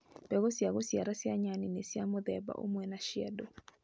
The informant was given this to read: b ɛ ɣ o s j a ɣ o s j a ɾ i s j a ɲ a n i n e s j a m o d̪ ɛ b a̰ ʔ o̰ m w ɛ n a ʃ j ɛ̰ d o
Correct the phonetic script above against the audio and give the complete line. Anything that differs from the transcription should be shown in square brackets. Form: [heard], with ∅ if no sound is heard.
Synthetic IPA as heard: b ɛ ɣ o s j a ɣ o s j a ɾ [a] s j a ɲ a n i n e s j a m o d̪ ɛ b a̰ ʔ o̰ m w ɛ n a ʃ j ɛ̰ d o